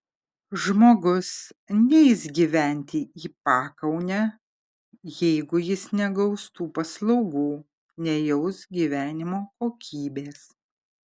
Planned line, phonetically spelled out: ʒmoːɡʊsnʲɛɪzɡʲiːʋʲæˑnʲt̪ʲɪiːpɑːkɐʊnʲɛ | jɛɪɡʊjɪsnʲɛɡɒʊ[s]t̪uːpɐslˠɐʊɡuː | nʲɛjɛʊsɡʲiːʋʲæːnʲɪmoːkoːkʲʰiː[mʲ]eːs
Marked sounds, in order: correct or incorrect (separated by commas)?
correct, incorrect